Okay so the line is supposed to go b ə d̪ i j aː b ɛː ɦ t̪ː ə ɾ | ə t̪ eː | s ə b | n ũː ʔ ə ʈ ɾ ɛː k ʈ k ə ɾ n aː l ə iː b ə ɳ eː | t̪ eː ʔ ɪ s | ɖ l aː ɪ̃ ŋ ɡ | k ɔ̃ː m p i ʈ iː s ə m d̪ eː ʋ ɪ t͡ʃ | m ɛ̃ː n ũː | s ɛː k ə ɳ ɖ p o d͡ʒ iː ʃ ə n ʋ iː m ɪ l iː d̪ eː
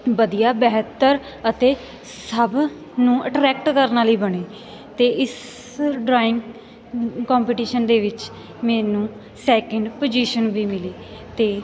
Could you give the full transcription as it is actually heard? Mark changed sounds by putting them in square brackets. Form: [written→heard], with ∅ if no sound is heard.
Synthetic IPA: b ə d̪ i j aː b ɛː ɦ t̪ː ə ɾ | ə t̪ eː | s ə b | n ũː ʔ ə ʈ ɾ ɛː k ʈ k ə ɾ n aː l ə iː b ə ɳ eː | t̪ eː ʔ ɪ s | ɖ [l→ɾ] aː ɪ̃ ŋ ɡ | k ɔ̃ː m p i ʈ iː [s→ʃ] ə [m→n] d̪ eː ʋ ɪ t͡ʃ | m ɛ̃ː n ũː | s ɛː k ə ɳ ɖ p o d͡ʒ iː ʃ ə n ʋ iː m ɪ l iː [d̪→t̪] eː